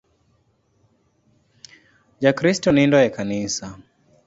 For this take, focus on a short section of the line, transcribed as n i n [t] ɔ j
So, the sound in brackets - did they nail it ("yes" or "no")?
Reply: no